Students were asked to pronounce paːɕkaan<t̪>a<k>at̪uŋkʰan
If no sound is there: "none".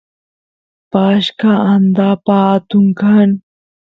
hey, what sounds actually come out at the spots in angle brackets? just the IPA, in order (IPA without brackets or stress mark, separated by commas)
d̪, p